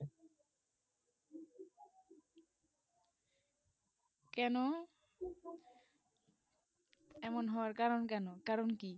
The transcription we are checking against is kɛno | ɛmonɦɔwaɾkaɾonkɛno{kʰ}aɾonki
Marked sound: incorrect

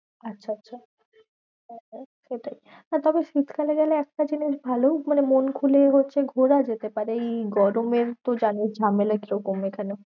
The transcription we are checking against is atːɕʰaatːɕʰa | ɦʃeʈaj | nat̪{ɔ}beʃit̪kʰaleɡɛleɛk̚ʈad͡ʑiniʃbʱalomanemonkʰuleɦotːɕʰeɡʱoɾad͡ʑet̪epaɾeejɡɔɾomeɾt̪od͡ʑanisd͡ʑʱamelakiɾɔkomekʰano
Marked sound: correct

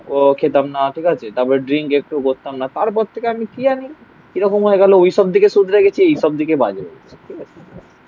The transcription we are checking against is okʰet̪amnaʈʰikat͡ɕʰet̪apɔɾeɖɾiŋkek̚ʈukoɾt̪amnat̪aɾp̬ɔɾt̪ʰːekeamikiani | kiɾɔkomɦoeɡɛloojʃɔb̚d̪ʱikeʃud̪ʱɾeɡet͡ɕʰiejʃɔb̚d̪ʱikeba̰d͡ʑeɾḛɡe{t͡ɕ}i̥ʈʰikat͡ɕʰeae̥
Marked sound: incorrect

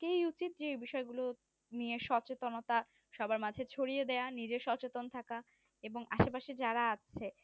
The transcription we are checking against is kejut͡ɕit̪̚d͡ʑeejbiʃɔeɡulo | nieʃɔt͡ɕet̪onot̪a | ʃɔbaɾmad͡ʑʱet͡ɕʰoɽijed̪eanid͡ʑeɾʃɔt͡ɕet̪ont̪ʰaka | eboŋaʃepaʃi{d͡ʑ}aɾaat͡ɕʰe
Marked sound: correct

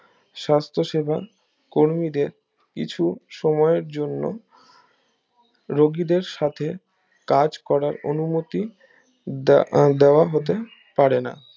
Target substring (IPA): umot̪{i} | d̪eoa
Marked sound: correct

